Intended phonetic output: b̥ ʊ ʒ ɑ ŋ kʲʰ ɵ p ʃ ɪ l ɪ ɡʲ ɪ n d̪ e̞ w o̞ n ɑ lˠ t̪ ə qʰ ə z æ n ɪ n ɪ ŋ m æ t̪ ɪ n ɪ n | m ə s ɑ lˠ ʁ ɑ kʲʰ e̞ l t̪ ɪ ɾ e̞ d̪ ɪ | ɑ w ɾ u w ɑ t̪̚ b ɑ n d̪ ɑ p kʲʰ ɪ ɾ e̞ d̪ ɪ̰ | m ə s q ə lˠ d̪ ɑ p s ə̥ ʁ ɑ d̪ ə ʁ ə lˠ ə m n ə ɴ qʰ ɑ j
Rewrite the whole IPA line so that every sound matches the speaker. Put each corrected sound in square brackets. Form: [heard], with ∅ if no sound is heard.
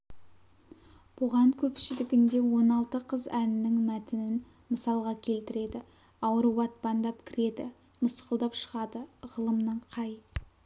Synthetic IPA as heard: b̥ ʊ [ʁ] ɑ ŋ kʲʰ ɵ p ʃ ɪ l ɪ ɡʲ ɪ n d̪ e̞ w o̞ n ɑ lˠ t̪ ə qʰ ə z æ n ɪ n ɪ ŋ m æ t̪ ɪ n ɪ n | m ə s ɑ lˠ ʁ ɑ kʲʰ e̞ l t̪ ɪ ɾ e̞ d̪ ɪ | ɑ w ɾ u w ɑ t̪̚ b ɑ n d̪ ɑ p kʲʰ ɪ ɾ e̞ d̪ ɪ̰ | m ə s q ə lˠ d̪ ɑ p [ʃ] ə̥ ʁ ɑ d̪ ə ʁ ə lˠ ə m n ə ɴ qʰ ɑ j